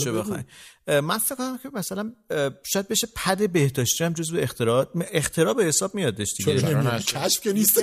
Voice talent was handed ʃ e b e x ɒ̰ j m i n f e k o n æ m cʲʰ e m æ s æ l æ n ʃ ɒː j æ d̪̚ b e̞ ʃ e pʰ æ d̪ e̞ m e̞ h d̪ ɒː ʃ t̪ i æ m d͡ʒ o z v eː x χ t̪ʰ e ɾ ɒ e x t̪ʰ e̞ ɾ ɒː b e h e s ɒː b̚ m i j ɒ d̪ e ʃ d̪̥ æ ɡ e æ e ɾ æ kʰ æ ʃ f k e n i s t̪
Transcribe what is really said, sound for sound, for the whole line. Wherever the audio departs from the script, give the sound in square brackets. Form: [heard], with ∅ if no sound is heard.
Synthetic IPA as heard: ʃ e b e x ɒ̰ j m [æ] n f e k o n æ m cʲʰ e m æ s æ l æ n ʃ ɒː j æ d̪̚ b e̞ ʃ e pʰ æ d̪ e̞ [b] e̞ h d̪ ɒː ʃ t̪ i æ m d͡ʒ o z v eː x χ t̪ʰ e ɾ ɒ e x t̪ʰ e̞ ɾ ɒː b e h e s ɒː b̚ m i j ɒ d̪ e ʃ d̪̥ [i] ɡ e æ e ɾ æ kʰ æ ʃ f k e n i s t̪